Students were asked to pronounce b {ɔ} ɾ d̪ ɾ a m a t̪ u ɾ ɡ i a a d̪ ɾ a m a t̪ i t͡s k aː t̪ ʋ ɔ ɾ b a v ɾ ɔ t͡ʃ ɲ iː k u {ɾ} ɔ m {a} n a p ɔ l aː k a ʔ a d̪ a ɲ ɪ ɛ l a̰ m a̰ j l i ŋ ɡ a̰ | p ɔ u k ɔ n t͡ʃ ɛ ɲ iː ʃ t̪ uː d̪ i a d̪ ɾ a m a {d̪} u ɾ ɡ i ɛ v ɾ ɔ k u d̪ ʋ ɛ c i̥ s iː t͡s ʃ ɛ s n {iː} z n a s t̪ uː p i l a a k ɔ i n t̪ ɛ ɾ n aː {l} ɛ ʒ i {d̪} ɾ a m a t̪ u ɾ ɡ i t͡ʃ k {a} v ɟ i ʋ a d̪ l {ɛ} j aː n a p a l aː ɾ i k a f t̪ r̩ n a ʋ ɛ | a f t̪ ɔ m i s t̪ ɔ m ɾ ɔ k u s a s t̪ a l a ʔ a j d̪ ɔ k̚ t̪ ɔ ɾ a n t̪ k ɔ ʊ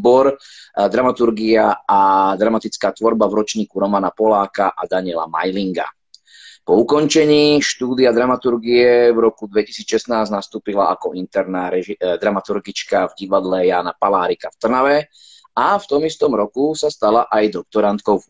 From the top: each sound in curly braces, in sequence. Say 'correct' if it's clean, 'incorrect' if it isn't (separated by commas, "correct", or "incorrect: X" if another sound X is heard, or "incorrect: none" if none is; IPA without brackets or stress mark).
correct, correct, correct, incorrect: t̪, incorrect: aː, incorrect: ɾ, correct, correct, correct